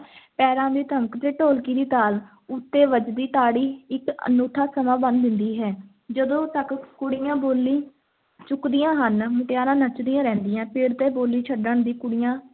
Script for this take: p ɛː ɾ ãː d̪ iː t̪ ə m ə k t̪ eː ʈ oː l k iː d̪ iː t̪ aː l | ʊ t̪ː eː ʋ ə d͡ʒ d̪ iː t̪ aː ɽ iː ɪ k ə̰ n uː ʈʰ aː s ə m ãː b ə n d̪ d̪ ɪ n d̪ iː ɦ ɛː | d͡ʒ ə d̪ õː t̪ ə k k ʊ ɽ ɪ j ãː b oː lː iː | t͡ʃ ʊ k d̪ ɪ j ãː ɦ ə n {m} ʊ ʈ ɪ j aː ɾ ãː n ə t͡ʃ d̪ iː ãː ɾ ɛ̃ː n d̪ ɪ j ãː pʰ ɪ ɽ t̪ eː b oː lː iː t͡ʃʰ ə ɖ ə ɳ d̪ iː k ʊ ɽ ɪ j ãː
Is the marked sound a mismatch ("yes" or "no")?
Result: no